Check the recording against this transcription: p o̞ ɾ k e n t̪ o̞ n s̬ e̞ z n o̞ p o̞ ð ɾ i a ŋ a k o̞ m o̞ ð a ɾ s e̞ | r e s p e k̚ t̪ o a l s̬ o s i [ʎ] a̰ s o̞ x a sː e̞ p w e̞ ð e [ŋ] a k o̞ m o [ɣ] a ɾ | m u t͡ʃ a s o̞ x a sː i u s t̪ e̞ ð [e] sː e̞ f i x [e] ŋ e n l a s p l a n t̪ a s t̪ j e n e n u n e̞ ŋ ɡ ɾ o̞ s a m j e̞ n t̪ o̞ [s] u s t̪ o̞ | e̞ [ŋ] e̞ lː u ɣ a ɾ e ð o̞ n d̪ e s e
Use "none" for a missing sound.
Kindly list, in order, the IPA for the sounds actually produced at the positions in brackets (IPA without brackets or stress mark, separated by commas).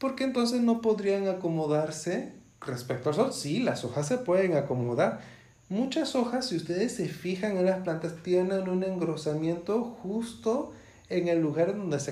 l, ŋ, ð, e, a, x, ŋ